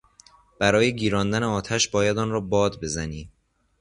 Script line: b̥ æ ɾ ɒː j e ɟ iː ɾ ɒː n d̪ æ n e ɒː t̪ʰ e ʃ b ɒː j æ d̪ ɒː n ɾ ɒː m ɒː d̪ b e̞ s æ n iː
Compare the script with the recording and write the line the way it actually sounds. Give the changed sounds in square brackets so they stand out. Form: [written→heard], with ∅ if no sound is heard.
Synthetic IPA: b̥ æ ɾ ɒː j e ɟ iː ɾ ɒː n d̪ æ n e ɒː t̪ʰ [e→æ] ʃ b ɒː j æ d̪ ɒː n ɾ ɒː [m→b] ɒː d̪ b e̞ [s→z] æ n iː